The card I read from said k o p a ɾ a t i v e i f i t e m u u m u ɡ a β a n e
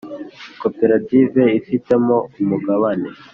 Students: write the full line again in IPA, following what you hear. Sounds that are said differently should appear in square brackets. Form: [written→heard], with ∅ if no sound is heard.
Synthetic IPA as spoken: k o p [a→e] ɾ a t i v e i f i t e m [u→o] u m u ɡ a β a n e